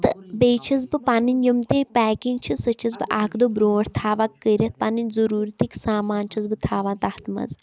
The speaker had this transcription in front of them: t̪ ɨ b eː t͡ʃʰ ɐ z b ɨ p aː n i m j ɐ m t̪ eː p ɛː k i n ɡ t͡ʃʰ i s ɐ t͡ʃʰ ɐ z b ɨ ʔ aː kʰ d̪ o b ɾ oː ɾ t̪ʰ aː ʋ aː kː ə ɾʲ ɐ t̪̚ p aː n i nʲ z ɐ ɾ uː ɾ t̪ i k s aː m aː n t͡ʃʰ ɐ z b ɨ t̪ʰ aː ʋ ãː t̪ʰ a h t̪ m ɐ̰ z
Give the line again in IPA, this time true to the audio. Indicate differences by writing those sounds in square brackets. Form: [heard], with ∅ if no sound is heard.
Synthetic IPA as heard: t̪ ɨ b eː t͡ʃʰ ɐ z b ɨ p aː n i [n] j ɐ m t̪ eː p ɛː k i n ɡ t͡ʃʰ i s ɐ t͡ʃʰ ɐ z b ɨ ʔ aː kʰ d̪ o b ɾ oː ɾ t̪ʰ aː ʋ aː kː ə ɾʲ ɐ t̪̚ p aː n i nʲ z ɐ ɾ uː ɾ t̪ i k s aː m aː n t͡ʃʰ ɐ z b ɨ t̪ʰ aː ʋ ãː [t̪] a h t̪ m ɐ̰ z